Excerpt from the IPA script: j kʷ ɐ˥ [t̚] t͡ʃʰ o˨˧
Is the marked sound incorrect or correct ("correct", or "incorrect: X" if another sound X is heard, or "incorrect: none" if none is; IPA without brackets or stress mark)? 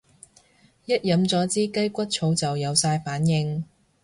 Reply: correct